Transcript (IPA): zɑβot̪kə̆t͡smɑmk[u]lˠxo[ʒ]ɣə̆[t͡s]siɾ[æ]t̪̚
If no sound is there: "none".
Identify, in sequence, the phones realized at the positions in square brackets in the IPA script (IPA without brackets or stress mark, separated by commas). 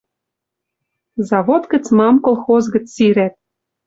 o, z, t͡s, æ